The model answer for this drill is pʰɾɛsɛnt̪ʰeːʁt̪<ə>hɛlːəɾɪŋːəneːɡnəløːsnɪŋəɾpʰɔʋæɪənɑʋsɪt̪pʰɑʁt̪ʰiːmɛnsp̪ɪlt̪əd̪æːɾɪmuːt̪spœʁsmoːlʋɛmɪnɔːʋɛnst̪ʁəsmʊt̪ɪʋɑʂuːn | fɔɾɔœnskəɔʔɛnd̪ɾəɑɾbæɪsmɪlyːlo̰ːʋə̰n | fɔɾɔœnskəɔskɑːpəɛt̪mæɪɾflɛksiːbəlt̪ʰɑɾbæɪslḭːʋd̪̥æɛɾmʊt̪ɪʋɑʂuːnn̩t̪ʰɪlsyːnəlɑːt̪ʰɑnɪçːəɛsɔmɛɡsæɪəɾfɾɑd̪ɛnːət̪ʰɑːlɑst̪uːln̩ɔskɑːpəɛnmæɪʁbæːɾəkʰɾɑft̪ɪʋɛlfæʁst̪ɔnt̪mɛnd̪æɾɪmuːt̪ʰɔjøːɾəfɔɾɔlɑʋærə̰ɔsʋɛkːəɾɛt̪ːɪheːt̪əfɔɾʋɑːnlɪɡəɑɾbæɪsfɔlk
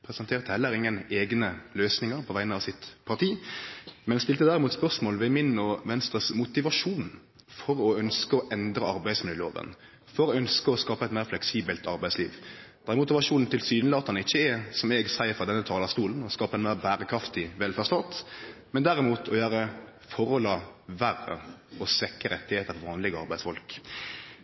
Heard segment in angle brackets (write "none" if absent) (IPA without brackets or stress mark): ə